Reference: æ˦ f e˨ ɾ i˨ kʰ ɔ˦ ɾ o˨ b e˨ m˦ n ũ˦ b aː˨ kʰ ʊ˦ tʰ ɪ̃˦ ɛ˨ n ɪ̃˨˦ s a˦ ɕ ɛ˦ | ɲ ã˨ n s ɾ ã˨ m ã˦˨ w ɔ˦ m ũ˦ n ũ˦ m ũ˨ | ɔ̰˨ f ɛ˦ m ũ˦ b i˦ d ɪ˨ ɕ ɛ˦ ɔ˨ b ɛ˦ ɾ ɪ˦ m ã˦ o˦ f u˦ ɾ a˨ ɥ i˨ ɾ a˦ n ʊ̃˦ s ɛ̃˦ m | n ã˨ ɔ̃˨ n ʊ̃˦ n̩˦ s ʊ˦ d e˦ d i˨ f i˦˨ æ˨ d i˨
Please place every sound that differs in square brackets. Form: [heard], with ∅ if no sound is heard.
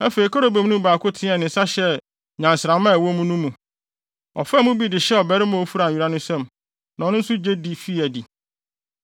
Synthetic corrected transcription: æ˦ f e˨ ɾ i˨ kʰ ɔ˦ ɾ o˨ b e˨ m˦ n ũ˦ b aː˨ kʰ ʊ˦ tʰ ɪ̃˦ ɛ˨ n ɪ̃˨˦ s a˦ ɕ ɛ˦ | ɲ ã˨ n s ɾ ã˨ m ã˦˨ w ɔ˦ m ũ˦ n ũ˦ m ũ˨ | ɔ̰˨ f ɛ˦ m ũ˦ b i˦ d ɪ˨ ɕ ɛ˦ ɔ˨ b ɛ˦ ɾ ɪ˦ m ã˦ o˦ f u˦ ɾ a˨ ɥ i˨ ɾ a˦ n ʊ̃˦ s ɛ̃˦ m | n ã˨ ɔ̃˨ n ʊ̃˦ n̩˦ s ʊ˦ [d͡ʑ] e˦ d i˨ f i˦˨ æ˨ d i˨